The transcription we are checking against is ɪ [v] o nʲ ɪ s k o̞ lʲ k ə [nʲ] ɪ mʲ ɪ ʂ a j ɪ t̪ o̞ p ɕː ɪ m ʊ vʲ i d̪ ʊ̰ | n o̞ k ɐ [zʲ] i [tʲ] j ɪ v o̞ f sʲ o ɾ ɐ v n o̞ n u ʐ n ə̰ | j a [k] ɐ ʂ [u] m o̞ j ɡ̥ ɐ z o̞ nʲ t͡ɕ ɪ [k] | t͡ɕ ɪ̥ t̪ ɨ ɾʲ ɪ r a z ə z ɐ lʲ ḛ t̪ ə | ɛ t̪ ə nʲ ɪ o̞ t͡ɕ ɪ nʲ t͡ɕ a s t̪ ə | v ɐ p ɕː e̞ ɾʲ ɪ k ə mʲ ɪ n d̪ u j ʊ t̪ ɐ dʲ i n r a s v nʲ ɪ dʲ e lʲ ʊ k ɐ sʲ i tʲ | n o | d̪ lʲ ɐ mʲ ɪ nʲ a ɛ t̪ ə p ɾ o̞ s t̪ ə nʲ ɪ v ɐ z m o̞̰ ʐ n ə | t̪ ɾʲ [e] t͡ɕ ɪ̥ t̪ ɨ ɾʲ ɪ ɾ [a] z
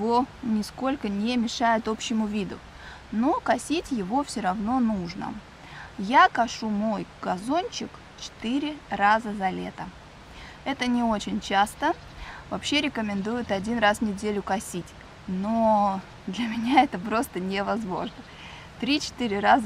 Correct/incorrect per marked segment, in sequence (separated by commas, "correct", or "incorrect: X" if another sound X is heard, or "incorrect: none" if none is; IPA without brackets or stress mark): correct, correct, incorrect: sʲ, correct, correct, correct, correct, incorrect: i, correct